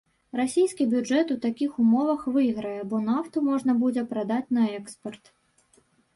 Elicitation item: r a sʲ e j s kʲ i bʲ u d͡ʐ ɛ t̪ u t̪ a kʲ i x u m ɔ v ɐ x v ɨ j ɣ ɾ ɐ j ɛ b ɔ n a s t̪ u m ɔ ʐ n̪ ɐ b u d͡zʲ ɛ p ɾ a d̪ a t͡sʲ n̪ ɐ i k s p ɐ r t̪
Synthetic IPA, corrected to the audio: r a sʲ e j s kʲ i bʲ u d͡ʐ ɛ t̪ u t̪ a kʲ i x u m ɔ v ɐ x v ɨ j ɣ ɾ ɐ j ɛ b ɔ n a f t̪ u m ɔ ʐ n̪ ɐ b u d͡zʲ ɛ p ɾ a d̪ a t͡sʲ n̪ ɐ ɛ k s p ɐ r t̪